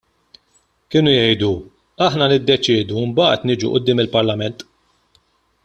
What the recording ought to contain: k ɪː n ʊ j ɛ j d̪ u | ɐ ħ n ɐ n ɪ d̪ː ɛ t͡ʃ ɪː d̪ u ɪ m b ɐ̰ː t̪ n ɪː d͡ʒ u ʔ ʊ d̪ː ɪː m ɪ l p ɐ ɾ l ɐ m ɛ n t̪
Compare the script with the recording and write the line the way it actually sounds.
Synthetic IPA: k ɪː n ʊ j ɛ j d̪ u | ɐ ħ n ɐ n ɪ d̪ː ɛ t͡ʃ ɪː d̪ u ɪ m b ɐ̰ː t̪ n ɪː d͡ʒ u ʔ ʊ d̪ː ɪː m ɪ l p ɐ ɾ l ɐ m ɛ n t̪

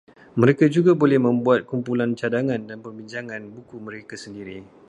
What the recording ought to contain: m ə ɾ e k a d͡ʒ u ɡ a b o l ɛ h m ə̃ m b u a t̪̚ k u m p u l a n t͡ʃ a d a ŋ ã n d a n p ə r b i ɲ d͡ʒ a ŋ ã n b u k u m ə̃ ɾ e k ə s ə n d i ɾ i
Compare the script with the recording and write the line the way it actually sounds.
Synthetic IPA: m ə ɾ e k a d͡ʒ u ɡ a b o l ɛ h m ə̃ m b u a t̪̚ k u m p u l a n t͡ʃ a d a ŋ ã n d a n p ə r b i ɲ d͡ʒ a ŋ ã n b u k u m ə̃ ɾ e k a s ə n d i ɾ i

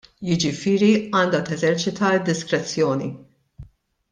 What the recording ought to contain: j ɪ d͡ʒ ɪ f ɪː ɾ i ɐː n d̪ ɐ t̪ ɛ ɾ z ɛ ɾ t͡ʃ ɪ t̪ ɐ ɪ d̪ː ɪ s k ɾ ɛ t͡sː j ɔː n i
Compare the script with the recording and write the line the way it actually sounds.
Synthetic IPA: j ɪ d͡ʒ ɪ f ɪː ɾ i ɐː n d̪ ɐ t̪ ɛ z ɛ ɾ t͡ʃ ɪ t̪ ɐ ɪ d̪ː ɪ s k ɾ ɛ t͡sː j ɔː n i

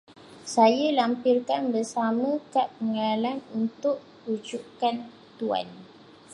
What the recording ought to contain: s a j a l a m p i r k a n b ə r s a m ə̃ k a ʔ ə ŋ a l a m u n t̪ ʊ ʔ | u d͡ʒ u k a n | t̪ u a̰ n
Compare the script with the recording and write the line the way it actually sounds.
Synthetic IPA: s a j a l a m p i r k a n b ə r s a m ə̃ k a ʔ ə ŋ a l a n u n t̪ ʊ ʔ | u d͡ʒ u k a n | t̪ u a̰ n

